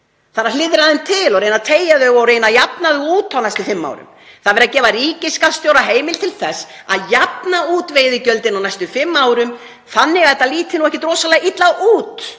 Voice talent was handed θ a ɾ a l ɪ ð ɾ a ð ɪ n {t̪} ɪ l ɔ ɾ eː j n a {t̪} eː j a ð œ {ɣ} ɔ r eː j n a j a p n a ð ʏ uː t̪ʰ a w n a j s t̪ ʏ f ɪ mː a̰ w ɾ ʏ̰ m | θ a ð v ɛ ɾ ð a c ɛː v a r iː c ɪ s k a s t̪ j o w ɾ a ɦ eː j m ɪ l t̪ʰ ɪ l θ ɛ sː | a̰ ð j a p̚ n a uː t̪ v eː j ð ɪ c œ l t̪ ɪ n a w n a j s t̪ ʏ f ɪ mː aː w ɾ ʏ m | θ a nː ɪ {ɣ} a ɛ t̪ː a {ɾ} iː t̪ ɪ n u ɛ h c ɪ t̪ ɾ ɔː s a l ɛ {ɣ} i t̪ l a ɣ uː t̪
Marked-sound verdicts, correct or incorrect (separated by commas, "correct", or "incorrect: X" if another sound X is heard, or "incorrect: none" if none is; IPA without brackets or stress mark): incorrect: t̪ʰ, incorrect: t̪ʰ, correct, correct, incorrect: l, correct